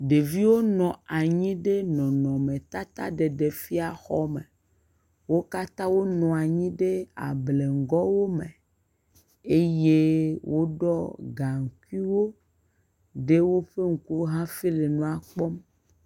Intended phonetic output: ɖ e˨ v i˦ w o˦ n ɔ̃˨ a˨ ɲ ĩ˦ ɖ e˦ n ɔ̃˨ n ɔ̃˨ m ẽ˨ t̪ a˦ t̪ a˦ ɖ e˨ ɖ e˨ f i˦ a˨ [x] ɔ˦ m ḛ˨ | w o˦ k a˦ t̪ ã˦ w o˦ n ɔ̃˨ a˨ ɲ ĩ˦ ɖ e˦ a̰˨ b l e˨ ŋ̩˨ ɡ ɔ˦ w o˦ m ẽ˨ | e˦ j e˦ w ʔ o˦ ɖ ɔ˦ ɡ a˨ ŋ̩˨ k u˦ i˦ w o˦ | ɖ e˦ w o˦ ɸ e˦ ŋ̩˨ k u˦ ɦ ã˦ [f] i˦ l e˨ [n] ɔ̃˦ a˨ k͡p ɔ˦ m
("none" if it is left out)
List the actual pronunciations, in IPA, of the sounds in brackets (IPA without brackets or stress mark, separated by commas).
x, f, n